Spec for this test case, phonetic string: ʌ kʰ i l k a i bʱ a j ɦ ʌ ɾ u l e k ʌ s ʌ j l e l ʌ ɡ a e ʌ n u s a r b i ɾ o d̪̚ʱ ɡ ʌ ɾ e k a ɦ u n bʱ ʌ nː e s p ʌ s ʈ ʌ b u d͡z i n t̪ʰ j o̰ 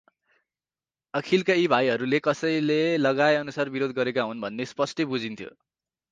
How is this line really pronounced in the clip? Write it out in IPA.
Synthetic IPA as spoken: ʌ kʰ i l k a i bʱ a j ɦ ʌ ɾ u l e k ʌ s ʌ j l e l ʌ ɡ a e ʌ n u s a r b i ɾ o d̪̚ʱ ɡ ʌ ɾ e k a ɦ u n bʱ ʌ nː e s p ʌ s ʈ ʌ b u d͡z i n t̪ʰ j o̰